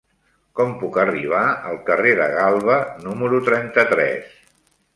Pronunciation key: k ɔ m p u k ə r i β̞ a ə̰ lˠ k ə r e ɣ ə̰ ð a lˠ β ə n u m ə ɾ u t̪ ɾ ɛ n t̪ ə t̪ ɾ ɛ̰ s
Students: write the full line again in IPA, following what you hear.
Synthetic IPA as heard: k ɔ m p u k ə r i β̞ a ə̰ lˠ k ə r e ð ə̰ ɣ a lˠ β ə n u m ə ɾ u t̪ ɾ ɛ n t̪ ə t̪ ɾ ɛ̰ s

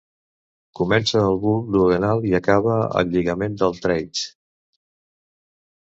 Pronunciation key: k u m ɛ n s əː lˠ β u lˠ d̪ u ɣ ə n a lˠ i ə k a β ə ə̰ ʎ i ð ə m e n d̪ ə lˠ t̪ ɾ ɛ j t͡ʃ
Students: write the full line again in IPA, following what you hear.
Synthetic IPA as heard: k u m ɛ n s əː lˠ β u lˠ d̪ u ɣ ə n a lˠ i ə k a β ə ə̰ ʎ i ɣ ə m e n d̪ ə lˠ t̪ ɾ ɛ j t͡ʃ

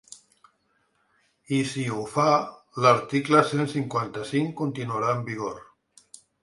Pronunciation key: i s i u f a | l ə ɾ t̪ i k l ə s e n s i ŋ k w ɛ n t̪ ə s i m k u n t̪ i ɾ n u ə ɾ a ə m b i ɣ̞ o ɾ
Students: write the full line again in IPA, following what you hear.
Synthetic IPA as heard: i s i u f a | l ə ɾ t̪ i k l ə s e n s i ŋ k w a n t̪ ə s i ŋ k u n t̪ i n u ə ɾ a ə m b i ɣ̞ o ɾ

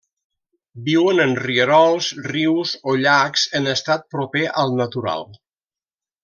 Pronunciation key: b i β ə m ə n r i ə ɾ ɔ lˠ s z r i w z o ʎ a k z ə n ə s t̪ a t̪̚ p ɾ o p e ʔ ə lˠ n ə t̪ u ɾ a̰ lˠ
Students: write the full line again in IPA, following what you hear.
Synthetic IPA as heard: b i w ə n ə n r i ə ɾ ɔ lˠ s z r i w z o ʎ a k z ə n ə s t̪ a t̪̚ p ɾ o p e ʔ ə lˠ n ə t̪ u ɾ a̰ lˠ

